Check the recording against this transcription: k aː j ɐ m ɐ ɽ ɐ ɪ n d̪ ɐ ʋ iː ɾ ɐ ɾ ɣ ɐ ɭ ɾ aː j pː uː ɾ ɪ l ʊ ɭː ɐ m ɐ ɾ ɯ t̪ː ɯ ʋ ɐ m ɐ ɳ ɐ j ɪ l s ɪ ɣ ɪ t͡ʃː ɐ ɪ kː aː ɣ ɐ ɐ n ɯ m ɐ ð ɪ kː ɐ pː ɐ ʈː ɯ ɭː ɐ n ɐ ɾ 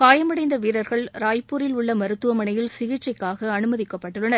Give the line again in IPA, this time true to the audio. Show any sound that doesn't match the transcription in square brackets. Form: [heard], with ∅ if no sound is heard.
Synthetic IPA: k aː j ɐ m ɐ ɽ ɐ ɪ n d̪ ɐ ʋ iː ɾ ɐ ɾ ɣ ɐ ɭ ɾ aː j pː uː ɾ ɪ l ʊ ɭː ɐ m ɐ ɾ ɯ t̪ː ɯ ʋ ɐ m ɐ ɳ ɐ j ɪ l s ɪ ɣ ɪ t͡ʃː ɐ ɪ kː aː ɣ ɐ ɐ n ɯ m ɐ ð ɪ kː ɐ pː ɐ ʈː ɯ ɭː ɐ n ɐ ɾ